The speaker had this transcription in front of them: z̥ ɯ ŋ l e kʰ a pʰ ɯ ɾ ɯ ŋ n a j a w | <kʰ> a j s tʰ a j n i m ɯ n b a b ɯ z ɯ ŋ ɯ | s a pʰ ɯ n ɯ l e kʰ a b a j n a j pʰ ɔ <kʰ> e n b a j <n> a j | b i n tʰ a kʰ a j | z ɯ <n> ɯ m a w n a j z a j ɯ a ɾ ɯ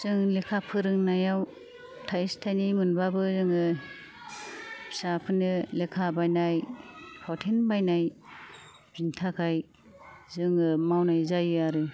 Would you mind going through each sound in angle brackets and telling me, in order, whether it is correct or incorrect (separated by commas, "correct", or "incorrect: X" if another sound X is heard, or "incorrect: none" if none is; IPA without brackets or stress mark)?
incorrect: tʰ, incorrect: tʰ, correct, incorrect: ŋ